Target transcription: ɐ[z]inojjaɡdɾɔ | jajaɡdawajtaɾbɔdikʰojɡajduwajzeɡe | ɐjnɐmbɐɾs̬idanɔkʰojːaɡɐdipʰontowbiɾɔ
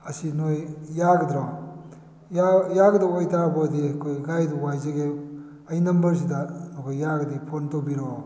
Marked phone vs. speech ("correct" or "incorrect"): incorrect